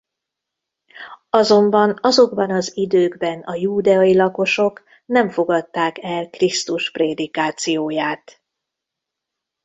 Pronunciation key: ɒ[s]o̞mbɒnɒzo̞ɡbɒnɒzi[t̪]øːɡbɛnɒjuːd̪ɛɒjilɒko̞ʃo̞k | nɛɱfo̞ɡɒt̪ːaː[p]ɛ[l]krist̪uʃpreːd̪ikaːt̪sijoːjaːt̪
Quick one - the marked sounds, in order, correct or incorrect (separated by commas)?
incorrect, incorrect, incorrect, correct